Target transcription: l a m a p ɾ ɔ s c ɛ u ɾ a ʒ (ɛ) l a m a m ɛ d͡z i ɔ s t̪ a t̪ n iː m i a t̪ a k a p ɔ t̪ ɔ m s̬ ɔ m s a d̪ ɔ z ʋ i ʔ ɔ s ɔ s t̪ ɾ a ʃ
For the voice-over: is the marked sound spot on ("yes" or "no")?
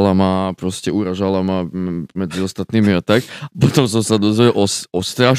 no